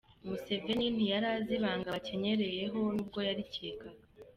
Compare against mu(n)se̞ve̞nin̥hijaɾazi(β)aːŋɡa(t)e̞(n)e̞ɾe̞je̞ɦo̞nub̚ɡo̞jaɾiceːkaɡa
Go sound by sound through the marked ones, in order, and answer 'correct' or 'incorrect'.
incorrect: none, correct, incorrect: c, incorrect: ɲ

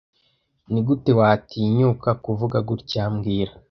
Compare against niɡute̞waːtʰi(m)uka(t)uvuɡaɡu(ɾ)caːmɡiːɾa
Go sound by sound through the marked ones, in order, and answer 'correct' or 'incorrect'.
incorrect: ɲ, incorrect: k, correct

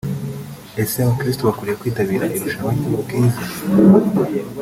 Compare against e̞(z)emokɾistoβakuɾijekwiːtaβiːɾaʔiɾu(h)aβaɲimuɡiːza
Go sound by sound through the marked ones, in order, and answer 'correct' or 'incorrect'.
incorrect: s, incorrect: ʃ

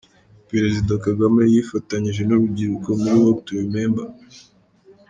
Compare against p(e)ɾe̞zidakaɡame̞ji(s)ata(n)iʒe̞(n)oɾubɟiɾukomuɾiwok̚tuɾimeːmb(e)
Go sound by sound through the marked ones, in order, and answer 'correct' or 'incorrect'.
correct, incorrect: f, incorrect: ɲ, correct, incorrect: a

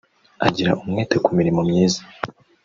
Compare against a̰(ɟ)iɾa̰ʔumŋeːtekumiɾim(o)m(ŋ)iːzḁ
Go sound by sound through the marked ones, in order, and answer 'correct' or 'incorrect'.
correct, correct, incorrect: ɲ

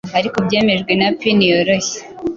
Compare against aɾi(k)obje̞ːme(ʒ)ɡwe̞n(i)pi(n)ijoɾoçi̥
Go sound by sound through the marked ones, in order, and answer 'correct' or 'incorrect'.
correct, correct, incorrect: a, correct

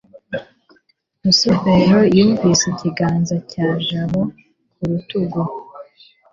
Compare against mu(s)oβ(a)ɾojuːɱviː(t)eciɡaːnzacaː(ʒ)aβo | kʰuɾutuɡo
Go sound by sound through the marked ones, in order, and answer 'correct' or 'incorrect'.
correct, incorrect: e, incorrect: s, correct

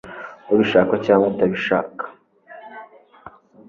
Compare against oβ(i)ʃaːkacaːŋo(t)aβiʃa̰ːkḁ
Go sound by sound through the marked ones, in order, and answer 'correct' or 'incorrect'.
correct, correct

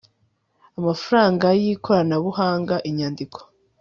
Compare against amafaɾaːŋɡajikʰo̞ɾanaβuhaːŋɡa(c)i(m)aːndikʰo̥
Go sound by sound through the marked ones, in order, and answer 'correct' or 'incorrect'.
incorrect: ʔ, incorrect: ɲ

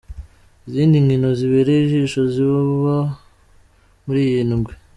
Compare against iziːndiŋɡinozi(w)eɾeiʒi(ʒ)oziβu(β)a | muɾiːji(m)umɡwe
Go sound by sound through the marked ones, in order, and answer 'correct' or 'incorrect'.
incorrect: β, incorrect: ʃ, correct, incorrect: n

